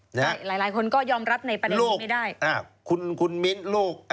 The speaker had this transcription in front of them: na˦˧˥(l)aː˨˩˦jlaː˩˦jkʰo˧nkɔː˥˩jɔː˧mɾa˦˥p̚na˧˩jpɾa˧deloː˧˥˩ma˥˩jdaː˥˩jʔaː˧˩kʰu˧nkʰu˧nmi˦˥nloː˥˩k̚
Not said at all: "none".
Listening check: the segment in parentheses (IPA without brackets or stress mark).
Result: l